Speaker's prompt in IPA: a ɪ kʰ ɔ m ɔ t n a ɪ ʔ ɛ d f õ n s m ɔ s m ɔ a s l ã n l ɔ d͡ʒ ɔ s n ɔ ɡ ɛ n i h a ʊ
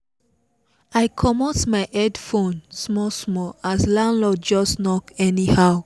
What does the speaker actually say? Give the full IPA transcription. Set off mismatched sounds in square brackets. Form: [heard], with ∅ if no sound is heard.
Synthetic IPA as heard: a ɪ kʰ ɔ m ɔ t [m] a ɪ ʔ ɛ d f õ n s m ɔ s m ɔ a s l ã n l ɔ d͡ʒ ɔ s n ɔ [k] ɛ n i h a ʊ